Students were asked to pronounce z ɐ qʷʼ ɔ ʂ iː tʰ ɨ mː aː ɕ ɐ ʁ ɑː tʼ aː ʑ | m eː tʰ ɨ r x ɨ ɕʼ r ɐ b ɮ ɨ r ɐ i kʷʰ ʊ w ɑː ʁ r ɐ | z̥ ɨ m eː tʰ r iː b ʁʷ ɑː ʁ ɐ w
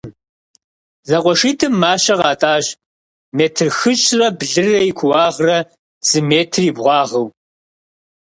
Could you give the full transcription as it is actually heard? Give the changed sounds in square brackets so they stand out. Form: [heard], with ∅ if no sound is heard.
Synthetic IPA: z ɐ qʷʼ ɔ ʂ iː tʰ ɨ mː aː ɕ ɐ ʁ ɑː tʼ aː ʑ | m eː tʰ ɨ r x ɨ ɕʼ r ɐ b ɮ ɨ r ɐ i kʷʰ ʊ w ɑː ʁ r ɐ | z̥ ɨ m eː tʰ r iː b ʁʷ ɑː ʁ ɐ w